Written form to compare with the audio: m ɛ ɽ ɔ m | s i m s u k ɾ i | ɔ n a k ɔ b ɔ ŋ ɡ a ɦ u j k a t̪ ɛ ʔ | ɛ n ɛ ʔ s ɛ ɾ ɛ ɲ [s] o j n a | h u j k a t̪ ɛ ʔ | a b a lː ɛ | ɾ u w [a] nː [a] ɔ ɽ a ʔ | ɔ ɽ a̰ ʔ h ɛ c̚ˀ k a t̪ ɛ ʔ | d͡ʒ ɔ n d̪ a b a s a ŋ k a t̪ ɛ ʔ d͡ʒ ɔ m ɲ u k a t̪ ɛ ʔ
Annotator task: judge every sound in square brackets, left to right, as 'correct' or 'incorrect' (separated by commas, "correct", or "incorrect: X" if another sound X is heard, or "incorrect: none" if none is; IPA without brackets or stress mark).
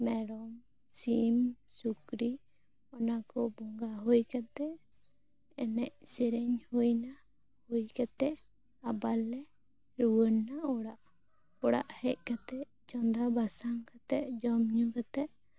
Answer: incorrect: h, incorrect: ə, correct